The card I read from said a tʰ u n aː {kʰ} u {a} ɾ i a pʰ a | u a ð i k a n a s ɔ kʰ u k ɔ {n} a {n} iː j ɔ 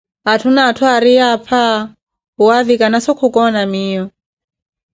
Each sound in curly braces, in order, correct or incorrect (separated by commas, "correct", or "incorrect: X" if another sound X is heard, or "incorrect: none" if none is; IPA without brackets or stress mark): incorrect: tʰ, correct, correct, incorrect: m